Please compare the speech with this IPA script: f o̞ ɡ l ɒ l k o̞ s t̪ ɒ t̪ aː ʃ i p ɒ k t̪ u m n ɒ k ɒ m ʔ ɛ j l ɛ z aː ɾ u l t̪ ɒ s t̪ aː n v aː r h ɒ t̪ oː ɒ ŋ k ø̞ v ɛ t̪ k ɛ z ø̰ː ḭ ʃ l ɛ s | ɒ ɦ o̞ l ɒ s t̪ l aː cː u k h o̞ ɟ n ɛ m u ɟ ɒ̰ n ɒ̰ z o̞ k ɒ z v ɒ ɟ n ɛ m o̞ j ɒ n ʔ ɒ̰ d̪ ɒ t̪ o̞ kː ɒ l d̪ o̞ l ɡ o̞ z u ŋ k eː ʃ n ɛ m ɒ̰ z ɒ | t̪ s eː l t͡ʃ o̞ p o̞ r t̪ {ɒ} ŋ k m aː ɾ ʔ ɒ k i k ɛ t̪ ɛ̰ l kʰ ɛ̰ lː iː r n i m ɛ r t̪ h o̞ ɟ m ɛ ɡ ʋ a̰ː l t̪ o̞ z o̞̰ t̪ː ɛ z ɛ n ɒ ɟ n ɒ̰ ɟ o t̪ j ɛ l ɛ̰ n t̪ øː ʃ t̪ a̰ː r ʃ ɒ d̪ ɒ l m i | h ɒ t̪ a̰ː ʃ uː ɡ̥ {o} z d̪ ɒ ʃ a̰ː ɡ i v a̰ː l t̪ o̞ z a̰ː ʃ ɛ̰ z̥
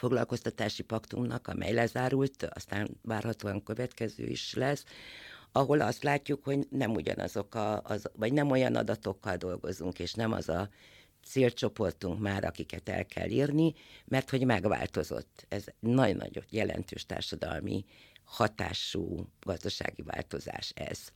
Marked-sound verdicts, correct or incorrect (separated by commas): incorrect, incorrect